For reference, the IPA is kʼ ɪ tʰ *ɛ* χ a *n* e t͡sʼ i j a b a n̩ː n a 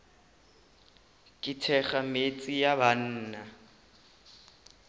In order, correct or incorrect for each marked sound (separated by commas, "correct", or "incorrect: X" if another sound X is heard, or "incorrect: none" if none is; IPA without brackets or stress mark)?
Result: correct, incorrect: m